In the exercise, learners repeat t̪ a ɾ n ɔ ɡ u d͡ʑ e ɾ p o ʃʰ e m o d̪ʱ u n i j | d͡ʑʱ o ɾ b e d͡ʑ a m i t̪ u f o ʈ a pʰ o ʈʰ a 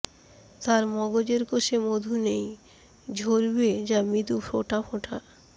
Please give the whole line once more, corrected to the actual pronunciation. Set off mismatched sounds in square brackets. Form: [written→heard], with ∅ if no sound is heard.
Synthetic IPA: t̪ a ɾ [n→m] ɔ ɡ [u→o] d͡ʑ e ɾ [p→k] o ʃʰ e m o d̪ʱ u n [i→e] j | d͡ʑʱ o ɾ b e d͡ʑ a m i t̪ u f o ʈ a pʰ o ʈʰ a